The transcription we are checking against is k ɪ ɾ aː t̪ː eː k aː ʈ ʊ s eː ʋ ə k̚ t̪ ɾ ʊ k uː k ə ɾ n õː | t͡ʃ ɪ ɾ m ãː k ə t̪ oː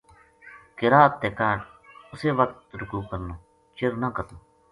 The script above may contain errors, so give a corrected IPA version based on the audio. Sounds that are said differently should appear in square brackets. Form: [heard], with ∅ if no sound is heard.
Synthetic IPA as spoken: k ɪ ɾ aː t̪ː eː k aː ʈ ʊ s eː ʋ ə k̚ t̪ ɾ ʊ k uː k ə ɾ n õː | t͡ʃ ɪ ɾ [n] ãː k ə t̪ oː